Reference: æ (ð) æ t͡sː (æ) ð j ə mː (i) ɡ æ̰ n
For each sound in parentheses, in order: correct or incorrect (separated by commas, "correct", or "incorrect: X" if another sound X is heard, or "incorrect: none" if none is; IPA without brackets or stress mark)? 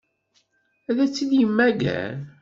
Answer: correct, incorrect: i, incorrect: æ